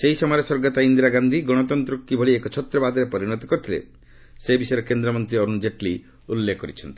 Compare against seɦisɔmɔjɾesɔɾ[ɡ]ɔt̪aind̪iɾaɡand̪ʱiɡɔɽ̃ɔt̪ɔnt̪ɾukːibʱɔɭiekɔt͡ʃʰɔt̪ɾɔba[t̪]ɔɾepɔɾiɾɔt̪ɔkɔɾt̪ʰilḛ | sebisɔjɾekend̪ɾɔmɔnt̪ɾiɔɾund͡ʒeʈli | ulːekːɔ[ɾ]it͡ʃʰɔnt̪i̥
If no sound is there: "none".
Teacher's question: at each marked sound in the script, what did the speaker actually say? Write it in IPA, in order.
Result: ɡ, d̪, ɾ

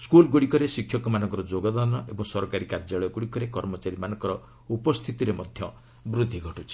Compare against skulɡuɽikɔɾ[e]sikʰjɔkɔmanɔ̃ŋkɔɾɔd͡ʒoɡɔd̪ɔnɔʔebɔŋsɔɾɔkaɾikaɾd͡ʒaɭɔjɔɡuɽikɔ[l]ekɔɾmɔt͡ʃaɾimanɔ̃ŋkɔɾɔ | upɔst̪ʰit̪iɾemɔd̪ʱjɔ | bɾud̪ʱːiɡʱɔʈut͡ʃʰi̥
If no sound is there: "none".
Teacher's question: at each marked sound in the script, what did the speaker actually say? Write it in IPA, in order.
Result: e, ɾ

